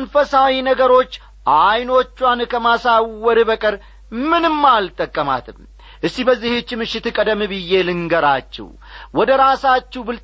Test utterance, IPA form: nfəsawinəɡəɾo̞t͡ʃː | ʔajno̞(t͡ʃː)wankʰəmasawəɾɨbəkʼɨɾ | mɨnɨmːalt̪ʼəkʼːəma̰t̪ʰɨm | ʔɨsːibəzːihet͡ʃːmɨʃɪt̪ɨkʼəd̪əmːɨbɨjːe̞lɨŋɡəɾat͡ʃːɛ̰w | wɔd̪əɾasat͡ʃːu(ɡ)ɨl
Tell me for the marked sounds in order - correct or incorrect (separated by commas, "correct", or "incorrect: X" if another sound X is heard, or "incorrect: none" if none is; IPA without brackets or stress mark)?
correct, incorrect: b